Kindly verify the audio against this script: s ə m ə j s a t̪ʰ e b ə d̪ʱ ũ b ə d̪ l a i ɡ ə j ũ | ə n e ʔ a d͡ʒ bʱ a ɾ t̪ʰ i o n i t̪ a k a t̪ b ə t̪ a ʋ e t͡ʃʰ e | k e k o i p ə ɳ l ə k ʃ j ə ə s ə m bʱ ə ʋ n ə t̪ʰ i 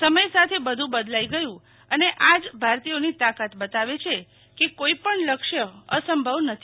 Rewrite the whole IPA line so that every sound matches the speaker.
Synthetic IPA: s ə m ə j s a t̪ʰ e b ə d̪ʱ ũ b ə d̪ l a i ɡ ə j ũ | ə n e ʔ a d͡ʒ bʱ a ɾ t̪ i o n i t̪ a k a t̪ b ə t̪ a ʋ e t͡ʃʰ e | k e k o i p ə ɳ l ə k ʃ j ə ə s ə m bʱ ə ʋ n ə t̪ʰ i

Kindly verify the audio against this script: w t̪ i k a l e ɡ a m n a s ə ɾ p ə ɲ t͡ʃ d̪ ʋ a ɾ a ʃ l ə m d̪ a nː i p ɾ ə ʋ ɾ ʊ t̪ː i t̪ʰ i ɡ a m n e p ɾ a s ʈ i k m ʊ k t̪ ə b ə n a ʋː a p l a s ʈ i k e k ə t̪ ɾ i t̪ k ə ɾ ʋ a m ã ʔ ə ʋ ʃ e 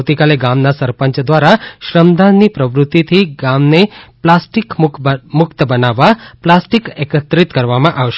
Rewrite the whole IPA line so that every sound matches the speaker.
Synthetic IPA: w t̪ i k a l e ɡ a m n a s ə ɾ p ə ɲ t͡ʃ d̪ ʋ a ɾ a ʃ ɾ ə m d̪ a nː i p ɾ ə ʋ ɾ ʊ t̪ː i t̪ʰ i ɡ a m n e p l a s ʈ i k m ʊ k t̪ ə b ə n a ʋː a p l a s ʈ i k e k ə t̪ ɾ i t̪ k ə ɾ ʋ a m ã ʔ a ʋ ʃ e

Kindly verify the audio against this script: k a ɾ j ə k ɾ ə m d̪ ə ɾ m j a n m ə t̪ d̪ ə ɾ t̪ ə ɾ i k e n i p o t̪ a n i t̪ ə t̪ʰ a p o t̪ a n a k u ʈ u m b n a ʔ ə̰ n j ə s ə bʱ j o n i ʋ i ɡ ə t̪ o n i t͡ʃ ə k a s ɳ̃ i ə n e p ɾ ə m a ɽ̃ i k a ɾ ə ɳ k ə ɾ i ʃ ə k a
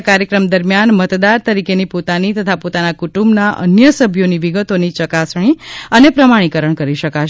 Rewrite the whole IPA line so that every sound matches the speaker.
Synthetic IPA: k a ɾ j ə k ɾ ə m d̪ ə ɾ m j a n m ə t̪ d̪ a ɾ t̪ ə ɾ i k e n i p o t̪ a n i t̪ ə t̪ʰ a p o t̪ a n a k u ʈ u m b n a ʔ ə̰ n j ə s ə bʱ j o n i ʋ i ɡ ə t̪ o n i t͡ʃ ə k a s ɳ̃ i ə n e p ɾ ə m a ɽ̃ i k ə ɾ ə ɳ k ə ɾ i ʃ ə k a

